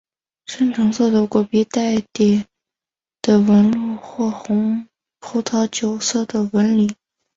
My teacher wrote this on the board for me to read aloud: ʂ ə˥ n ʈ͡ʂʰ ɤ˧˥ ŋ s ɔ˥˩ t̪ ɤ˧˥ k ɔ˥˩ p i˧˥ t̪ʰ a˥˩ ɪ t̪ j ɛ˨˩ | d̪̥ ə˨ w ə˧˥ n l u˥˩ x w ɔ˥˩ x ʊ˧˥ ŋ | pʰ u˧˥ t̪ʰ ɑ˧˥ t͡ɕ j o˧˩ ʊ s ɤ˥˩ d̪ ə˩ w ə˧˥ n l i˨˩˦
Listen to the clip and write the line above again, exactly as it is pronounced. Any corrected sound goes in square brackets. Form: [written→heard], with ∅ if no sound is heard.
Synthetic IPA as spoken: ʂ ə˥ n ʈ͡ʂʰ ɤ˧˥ ŋ s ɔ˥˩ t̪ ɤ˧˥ k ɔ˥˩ p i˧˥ [t̪ʰ→t̪] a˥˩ ɪ t̪ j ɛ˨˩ | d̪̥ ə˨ w ə˧˥ n l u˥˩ x w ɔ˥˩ x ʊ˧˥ ŋ | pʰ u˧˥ t̪ʰ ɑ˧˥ t͡ɕ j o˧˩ ʊ s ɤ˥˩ d̪ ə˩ w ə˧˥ n l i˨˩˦